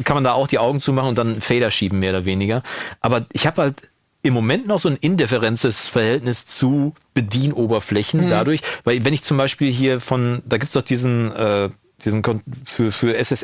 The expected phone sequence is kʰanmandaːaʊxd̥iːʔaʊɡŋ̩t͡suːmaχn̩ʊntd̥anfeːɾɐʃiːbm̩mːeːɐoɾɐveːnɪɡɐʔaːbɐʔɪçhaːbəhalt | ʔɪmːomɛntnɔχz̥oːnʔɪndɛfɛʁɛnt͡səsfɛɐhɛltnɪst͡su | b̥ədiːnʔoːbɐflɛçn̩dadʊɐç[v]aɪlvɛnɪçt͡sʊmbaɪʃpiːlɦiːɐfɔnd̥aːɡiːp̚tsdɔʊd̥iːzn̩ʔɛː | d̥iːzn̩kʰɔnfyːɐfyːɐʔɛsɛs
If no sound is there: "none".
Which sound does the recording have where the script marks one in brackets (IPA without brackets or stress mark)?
v